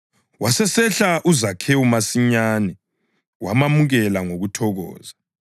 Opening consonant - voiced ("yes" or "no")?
yes